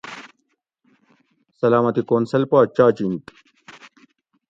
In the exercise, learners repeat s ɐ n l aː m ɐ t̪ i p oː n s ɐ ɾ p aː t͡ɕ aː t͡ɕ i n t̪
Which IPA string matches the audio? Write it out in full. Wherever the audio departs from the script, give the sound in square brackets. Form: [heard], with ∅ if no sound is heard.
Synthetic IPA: s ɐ [∅] l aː m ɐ t̪ i [k] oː n s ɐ [l] p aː t͡ɕ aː t͡ɕ i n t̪